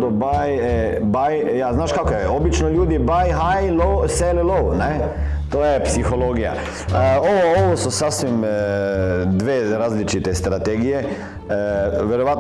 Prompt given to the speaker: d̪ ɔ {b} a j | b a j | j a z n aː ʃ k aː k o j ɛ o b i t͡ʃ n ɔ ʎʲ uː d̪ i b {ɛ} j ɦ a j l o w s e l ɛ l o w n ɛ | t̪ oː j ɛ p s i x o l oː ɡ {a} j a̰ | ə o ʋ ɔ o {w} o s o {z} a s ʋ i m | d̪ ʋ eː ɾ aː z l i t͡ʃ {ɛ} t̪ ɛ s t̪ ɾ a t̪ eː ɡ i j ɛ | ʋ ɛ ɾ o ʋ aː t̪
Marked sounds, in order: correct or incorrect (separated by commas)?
correct, incorrect, incorrect, incorrect, incorrect, incorrect